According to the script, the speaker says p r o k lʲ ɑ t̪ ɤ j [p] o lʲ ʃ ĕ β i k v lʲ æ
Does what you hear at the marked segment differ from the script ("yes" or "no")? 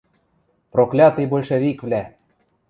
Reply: yes